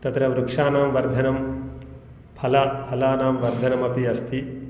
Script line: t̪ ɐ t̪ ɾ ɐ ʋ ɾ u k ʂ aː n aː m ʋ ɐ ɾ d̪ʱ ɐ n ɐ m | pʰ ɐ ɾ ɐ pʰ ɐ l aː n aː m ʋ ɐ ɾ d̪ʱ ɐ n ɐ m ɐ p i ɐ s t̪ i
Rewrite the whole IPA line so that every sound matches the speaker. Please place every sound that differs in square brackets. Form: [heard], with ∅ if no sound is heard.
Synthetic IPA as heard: t̪ ɐ t̪ ɾ ɐ ʋ ɾ u k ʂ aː n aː m ʋ ɐ ɾ d̪ʱ ɐ n ɐ m | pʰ ɐ [l] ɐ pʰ ɐ l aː n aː m ʋ ɐ ɾ d̪ʱ ɐ n ɐ m ɐ p i ɐ s t̪ i